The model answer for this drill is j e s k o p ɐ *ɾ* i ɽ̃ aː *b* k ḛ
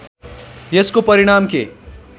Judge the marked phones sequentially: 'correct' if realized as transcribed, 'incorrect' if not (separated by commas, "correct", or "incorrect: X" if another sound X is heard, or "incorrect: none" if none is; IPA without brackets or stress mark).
correct, incorrect: m